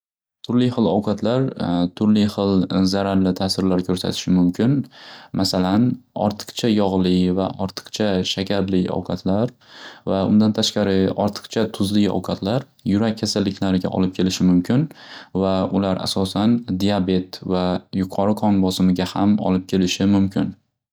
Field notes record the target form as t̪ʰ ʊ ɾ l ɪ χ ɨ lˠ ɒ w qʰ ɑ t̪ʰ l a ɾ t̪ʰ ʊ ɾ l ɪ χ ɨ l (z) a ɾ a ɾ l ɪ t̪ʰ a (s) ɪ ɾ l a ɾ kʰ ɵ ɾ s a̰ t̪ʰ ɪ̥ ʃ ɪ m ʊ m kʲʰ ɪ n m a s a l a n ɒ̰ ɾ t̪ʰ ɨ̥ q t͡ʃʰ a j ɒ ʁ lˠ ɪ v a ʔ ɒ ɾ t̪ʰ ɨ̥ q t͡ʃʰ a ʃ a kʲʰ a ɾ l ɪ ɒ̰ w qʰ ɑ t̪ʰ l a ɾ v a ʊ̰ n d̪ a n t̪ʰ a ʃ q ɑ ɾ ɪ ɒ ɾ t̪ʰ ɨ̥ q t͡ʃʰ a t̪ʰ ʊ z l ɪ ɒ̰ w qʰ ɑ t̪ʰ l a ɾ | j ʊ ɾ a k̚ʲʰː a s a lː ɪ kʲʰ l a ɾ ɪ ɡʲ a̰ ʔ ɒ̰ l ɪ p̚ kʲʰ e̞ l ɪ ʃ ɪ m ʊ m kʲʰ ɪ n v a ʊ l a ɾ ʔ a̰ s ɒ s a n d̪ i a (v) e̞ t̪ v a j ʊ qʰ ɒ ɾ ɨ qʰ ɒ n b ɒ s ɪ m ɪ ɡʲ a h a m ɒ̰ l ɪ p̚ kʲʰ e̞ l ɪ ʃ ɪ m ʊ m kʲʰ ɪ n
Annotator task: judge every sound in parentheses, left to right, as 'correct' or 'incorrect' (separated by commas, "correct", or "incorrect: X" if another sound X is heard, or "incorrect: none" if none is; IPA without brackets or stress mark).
correct, correct, incorrect: b